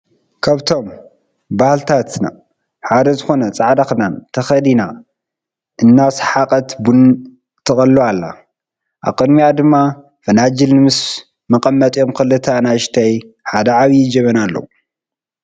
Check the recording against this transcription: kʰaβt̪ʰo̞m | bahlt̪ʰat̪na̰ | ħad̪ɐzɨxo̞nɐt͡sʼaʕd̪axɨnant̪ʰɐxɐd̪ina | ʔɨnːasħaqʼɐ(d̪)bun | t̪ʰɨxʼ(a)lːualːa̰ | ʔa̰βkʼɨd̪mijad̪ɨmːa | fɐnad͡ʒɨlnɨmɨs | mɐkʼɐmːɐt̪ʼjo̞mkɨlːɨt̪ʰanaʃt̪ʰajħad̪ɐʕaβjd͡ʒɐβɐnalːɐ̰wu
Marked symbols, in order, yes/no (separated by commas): no, no